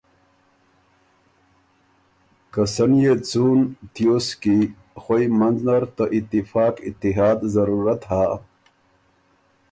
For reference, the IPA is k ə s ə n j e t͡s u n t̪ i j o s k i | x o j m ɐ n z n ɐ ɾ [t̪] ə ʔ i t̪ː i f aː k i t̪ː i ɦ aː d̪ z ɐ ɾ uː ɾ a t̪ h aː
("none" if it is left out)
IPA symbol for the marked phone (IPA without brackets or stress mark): t̪